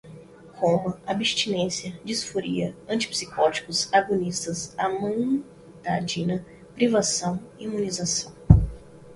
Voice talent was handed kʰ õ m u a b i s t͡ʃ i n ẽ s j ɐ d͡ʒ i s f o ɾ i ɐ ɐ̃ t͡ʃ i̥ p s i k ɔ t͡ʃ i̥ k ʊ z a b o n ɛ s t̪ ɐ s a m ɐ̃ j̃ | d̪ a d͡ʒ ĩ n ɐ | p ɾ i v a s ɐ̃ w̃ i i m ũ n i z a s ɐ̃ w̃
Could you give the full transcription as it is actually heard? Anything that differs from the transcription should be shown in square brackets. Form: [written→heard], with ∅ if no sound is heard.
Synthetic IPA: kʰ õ m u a b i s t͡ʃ i n ẽ s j ɐ d͡ʒ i s f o ɾ i ɐ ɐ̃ t͡ʃ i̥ p s i k ɔ t͡ʃ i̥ k ʊ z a [b→ɡ] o n [ɛ→i] s t̪ ɐ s a m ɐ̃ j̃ | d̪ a d͡ʒ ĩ n ɐ | p ɾ i v a s ɐ̃ w̃ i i m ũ n i z a s ɐ̃ w̃